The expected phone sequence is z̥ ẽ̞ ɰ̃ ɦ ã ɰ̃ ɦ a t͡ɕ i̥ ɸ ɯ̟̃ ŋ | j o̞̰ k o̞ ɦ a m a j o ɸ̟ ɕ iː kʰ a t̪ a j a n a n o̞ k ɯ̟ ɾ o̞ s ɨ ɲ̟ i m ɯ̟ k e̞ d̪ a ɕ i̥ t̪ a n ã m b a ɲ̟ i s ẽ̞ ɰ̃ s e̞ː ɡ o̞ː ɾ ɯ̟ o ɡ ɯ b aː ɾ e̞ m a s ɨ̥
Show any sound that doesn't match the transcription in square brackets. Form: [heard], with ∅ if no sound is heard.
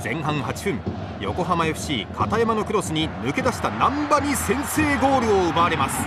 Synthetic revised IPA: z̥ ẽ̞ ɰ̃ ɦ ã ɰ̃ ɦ a t͡ɕ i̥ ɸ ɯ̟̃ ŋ | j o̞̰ k o̞ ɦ a m a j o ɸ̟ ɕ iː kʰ a t̪ a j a [m] a n o̞ k ɯ̟ ɾ o̞ s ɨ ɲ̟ i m ɯ̟ k e̞ d̪ a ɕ i̥ t̪ a n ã m b a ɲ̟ i s ẽ̞ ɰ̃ s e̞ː ɡ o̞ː ɾ ɯ̟ o [∅] ɯ b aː ɾ e̞ m a s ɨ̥

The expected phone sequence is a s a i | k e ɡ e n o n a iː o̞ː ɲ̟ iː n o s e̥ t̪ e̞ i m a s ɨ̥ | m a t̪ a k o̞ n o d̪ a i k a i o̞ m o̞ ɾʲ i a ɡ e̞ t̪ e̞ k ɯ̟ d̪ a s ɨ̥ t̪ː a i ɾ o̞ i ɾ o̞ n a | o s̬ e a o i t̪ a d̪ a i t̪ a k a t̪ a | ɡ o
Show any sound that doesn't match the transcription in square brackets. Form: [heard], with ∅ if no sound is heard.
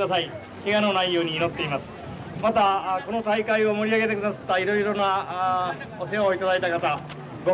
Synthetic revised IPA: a s a i | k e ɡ [a] n o n a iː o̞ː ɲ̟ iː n o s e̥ t̪ e̞ i m a s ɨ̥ | m a t̪ a k o̞ n o [t̪] a i k a i o̞ m o̞ ɾʲ i a ɡ e̞ t̪ e̞ k ɯ̟ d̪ a s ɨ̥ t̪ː a i ɾ o̞ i ɾ o̞ n a | o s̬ e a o i t̪ a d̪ a i t̪ a k a t̪ a | ɡ o

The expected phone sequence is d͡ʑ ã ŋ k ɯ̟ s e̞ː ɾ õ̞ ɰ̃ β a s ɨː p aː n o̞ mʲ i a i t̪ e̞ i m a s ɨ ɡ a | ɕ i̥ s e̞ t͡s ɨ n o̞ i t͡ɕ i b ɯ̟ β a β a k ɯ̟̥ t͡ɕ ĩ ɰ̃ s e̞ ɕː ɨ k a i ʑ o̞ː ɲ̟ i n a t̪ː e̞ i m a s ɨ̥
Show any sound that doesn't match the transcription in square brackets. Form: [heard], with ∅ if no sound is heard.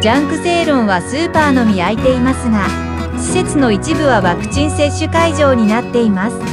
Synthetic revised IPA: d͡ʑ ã ŋ k ɯ̟ s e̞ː ɾ õ̞ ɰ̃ β a s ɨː p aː n o̞ mʲ i a i t̪ e̞ i m a s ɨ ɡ a | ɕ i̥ s e̞ t͡s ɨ n o̞ i t͡ɕ i b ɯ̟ β a β a k ɯ̟̥ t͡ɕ ĩ ɰ̃ s e̞ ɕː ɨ k a i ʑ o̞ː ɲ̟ i n a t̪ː e̞ i m a s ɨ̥

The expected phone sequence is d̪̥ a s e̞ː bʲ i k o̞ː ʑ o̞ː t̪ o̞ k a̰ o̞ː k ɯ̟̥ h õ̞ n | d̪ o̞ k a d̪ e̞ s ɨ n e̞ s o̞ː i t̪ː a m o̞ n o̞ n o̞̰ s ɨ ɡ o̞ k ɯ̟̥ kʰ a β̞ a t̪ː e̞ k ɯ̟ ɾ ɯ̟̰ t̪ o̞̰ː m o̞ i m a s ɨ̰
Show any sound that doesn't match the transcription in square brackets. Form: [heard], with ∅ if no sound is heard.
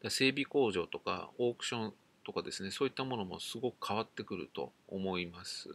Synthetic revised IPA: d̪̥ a s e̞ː bʲ i k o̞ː ʑ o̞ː t̪ o̞ k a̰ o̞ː k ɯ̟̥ [ɕ] õ̞ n | [t̪] o̞ k a d̪ e̞ s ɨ n e̞ s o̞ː i t̪ː a m o̞ n o̞ [m] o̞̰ s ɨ ɡ o̞ k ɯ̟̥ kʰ a β̞ a t̪ː e̞ k ɯ̟ ɾ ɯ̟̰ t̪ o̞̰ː m o̞ i m a s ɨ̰

